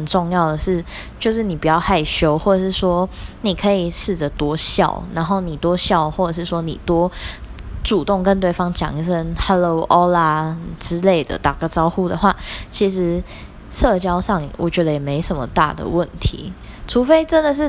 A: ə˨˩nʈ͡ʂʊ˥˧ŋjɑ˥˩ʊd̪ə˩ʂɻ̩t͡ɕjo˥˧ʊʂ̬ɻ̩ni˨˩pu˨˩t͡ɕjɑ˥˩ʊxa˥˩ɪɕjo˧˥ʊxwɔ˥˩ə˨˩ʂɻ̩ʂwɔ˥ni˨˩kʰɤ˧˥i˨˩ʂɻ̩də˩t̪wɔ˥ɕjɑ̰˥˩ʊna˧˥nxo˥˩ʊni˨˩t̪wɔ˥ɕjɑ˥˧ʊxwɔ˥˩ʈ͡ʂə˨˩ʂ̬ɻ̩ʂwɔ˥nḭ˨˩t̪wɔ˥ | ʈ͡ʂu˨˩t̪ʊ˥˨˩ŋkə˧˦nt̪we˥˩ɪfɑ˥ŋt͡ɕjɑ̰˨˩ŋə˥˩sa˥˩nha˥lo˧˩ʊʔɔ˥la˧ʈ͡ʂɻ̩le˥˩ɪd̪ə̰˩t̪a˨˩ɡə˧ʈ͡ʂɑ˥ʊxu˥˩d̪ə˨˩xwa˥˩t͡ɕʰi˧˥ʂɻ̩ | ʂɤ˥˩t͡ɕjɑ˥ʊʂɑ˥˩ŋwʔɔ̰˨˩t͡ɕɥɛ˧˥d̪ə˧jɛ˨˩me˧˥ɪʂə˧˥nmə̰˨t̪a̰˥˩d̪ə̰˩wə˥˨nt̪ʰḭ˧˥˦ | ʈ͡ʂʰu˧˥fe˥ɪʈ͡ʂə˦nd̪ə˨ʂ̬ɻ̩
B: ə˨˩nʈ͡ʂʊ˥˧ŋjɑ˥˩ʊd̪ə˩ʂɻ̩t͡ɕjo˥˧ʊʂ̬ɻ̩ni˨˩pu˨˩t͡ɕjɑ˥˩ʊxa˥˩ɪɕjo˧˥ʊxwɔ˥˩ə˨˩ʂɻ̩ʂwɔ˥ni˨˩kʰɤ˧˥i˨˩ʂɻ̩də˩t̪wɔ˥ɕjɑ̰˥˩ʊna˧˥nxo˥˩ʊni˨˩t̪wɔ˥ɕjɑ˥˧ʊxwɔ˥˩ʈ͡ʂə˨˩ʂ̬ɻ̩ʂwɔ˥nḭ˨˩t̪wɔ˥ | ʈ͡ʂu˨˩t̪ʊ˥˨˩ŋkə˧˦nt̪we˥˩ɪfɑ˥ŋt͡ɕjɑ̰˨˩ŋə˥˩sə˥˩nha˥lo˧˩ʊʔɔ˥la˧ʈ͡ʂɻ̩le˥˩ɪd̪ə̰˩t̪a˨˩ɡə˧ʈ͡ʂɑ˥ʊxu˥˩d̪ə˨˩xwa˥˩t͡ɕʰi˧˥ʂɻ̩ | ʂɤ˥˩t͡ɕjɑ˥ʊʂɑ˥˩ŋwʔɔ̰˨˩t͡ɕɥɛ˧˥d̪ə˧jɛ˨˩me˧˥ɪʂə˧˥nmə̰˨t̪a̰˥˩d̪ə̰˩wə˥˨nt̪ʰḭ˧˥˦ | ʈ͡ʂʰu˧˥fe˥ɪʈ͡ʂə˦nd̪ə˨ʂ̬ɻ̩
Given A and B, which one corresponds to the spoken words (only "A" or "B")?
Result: B